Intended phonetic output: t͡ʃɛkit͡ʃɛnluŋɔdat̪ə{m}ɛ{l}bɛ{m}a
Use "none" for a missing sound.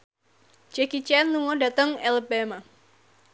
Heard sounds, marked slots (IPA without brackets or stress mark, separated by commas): ŋ, l, m